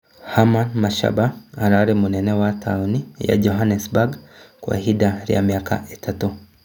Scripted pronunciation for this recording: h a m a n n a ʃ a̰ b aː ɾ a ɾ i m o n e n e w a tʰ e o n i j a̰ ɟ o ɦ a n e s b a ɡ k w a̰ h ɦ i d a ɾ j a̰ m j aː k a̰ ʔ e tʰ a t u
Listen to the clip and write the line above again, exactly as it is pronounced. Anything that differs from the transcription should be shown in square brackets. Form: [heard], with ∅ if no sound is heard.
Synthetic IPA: h a m a n [m] a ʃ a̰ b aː ɾ a ɾ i m [u] n e n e w a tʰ [a] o n i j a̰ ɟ o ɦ a n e s b a ɡ k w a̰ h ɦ i d a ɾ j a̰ m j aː k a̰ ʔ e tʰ a t u